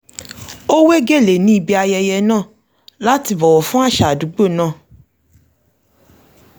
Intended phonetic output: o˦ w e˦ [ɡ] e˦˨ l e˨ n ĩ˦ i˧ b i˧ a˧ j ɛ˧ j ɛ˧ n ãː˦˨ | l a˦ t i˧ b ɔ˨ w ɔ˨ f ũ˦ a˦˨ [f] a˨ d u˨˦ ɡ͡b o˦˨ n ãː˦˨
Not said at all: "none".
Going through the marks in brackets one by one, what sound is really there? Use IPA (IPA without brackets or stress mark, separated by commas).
ɡ, ʃ